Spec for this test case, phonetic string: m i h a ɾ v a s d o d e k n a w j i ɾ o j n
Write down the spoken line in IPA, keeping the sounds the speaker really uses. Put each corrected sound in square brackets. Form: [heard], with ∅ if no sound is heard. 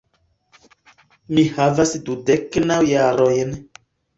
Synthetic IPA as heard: m i h a [∅] v a s d [u] d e k n a w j [a] ɾ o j n